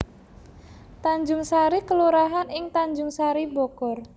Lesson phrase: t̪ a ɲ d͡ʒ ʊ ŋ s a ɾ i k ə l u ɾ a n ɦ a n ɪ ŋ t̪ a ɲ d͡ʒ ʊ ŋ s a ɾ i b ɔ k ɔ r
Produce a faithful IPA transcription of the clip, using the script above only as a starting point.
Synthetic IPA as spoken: t̪ a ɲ d͡ʒ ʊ ŋ s a ɾ i k ə l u ɾ a ɦ a n ɪ ŋ t̪ a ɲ d͡ʒ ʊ ŋ s a ɾ i b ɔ k ɔ r